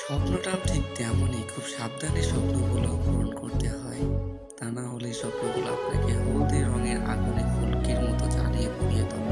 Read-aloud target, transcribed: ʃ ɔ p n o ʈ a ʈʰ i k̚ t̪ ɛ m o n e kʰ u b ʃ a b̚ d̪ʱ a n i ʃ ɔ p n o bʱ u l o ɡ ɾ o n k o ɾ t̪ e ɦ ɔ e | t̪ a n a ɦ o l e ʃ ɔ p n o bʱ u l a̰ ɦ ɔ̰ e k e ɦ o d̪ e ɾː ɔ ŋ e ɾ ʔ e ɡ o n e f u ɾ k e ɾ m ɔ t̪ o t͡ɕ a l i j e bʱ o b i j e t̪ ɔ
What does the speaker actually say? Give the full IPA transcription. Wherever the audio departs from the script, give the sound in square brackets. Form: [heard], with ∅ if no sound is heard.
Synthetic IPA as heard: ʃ ɔ p n o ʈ a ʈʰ i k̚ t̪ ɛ m o n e kʰ u b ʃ a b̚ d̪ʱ a n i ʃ ɔ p n o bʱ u l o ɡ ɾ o n k o ɾ t̪ e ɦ ɔ e | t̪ a n a ɦ o l e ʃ ɔ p n o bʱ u l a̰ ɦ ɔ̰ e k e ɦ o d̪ e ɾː ɔ ŋ e ɾ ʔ [a] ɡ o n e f u [l] k e ɾ m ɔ t̪ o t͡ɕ a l i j e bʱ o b i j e t̪ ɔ